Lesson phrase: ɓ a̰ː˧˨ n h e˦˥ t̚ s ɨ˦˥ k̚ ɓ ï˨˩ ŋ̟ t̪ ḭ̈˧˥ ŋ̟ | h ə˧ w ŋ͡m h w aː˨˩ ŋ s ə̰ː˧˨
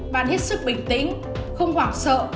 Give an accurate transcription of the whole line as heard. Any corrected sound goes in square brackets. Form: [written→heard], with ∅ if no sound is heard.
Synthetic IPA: ɓ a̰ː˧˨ n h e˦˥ t̚ s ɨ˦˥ k̚ ɓ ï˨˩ ŋ̟ t̪ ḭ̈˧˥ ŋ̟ | [h→x] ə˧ w ŋ͡m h w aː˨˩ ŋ s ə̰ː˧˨